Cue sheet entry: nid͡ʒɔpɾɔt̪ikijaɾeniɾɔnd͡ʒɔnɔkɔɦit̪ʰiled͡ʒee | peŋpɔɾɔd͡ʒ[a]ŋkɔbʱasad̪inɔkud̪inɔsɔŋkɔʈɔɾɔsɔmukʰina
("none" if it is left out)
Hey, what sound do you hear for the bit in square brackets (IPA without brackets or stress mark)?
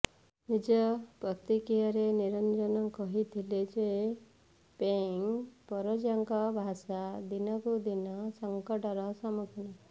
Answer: a